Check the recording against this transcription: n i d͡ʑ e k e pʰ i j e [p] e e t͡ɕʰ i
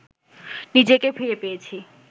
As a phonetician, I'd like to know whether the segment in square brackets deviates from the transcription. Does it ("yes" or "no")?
no